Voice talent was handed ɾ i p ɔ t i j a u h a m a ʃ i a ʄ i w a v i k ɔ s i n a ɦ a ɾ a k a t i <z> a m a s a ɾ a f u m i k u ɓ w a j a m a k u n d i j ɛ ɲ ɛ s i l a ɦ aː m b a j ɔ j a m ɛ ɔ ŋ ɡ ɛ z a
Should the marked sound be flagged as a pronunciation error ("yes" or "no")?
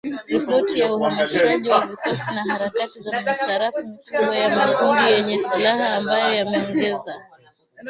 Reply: no